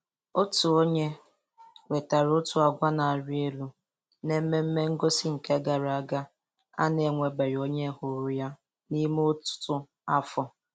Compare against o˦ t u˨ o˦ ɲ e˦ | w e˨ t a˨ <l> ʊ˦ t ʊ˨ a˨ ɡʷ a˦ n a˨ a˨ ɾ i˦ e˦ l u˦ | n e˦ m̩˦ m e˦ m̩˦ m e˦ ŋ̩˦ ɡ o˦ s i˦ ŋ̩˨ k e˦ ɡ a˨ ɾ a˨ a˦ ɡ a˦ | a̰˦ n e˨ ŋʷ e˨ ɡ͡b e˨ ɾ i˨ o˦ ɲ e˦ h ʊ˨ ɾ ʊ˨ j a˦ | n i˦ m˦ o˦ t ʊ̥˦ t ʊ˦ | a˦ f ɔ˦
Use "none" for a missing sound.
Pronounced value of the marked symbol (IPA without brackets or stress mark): ɾ